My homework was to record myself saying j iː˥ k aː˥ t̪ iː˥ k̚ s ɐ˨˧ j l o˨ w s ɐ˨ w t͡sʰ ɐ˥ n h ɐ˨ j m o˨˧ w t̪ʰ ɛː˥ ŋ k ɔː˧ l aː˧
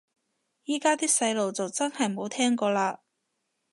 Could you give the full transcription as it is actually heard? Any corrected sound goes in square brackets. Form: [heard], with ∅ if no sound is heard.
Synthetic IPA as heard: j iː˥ k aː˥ t̪ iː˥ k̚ s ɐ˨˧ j l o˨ w [t͡s] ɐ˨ w [t͡s] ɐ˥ n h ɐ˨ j m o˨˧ w t̪ʰ ɛː˥ ŋ k ɔː˧ l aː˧